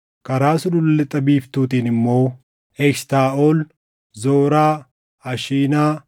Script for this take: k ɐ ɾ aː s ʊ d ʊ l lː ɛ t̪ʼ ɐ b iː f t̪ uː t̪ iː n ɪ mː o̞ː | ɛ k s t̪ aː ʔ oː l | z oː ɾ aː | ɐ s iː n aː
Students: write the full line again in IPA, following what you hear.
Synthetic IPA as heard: k ɐ ɾ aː s ʊ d ʊ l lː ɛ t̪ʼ ɐ b iː f t̪ uː t̪ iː n ɪ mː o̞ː | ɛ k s t̪ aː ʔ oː l | z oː ɾ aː | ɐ ʃ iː n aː